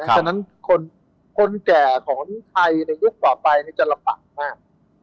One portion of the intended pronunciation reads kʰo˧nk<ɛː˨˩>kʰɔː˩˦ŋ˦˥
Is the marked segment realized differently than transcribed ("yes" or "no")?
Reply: no